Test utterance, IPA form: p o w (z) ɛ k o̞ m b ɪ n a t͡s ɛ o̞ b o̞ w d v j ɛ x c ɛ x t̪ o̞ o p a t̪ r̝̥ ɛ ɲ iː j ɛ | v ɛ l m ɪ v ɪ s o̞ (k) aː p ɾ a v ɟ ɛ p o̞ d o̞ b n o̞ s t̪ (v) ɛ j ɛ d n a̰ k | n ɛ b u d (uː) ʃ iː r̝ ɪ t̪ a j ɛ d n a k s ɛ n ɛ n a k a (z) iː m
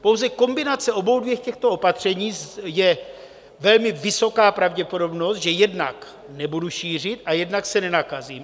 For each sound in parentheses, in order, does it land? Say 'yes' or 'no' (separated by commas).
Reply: yes, yes, no, no, yes